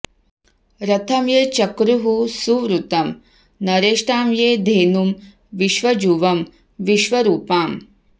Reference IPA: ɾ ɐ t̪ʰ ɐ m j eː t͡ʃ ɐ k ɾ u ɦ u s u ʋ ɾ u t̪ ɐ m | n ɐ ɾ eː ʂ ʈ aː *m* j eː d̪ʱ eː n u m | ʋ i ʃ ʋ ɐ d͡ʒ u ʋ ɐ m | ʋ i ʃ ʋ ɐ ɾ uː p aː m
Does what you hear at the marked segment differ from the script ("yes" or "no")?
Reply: no